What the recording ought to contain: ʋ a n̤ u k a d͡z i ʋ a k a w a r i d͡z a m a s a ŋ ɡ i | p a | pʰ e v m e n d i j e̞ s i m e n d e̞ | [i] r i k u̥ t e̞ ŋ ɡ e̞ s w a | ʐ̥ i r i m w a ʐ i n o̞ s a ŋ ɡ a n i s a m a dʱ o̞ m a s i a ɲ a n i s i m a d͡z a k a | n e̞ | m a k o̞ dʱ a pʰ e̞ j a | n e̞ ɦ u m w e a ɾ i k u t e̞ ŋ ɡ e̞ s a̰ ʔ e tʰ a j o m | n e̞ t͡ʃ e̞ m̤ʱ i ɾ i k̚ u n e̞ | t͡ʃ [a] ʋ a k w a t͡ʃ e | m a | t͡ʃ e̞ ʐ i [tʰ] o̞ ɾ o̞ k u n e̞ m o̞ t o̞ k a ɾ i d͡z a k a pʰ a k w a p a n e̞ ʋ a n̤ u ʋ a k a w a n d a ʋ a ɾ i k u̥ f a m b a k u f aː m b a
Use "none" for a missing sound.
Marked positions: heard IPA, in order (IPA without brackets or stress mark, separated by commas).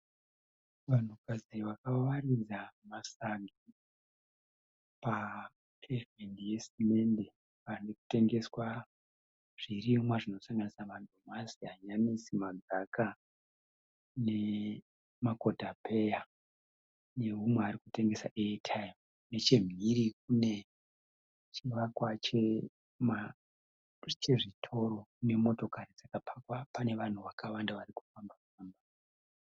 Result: a, i, tʰ